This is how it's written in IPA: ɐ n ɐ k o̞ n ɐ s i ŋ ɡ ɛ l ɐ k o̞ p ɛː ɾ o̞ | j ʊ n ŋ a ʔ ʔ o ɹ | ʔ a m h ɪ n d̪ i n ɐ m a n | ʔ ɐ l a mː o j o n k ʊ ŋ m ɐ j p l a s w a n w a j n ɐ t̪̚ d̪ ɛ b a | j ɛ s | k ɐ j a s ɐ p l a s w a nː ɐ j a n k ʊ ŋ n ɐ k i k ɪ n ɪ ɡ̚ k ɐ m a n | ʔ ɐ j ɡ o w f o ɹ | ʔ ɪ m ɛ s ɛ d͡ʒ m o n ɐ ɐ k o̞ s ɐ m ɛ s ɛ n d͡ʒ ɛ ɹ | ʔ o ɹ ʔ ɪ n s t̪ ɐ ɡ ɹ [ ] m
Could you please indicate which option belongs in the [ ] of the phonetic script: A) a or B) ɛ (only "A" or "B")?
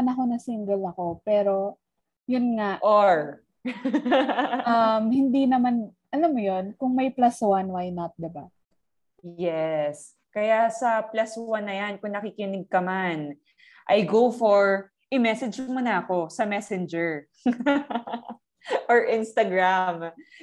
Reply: A